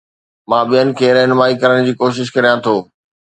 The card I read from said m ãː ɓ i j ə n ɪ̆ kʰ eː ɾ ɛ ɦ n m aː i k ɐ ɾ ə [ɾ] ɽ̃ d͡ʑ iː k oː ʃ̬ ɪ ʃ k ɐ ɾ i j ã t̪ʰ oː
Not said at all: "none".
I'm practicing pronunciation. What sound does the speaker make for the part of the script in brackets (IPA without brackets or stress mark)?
none